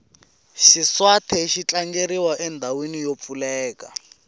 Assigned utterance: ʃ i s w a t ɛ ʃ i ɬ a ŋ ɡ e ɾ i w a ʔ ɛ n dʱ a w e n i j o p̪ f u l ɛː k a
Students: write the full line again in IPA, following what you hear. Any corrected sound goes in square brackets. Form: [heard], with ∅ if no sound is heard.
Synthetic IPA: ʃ i s w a [tʰ] ɛ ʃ i [t͡ɬ] a ŋ ɡ e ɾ i w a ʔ ɛ n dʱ a w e n i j o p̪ f u l ɛː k a